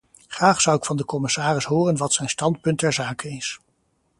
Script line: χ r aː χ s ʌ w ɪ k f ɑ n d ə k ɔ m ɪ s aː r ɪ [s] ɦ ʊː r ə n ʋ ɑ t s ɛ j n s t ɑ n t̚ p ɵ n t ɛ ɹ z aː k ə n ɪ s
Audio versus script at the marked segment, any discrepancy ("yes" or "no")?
no